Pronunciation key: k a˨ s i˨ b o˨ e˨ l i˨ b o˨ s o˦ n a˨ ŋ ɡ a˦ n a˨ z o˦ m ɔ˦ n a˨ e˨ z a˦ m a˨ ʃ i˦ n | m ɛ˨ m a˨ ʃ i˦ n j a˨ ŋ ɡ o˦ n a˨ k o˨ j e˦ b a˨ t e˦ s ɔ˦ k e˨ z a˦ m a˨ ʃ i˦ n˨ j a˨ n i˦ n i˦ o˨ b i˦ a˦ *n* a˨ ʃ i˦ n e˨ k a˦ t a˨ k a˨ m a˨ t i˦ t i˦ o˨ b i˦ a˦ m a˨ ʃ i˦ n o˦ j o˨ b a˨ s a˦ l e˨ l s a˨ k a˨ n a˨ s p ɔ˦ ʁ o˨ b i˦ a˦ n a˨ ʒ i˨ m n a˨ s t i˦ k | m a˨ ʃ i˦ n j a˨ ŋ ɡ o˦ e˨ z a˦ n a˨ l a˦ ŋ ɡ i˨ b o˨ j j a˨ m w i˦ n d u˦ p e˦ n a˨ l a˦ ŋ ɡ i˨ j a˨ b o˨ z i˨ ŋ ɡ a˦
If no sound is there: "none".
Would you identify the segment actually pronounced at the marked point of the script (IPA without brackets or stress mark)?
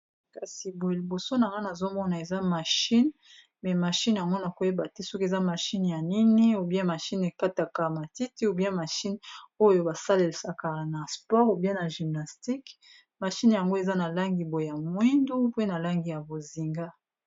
m